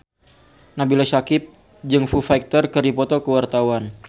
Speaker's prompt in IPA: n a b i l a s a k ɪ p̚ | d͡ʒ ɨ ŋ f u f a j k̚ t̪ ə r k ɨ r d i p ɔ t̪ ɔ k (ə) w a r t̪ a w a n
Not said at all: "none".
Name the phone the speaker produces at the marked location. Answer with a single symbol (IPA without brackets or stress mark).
ə